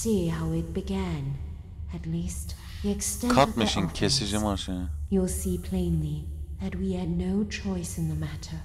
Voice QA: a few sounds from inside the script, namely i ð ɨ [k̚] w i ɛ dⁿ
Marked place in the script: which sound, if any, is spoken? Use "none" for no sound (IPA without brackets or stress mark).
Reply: t̚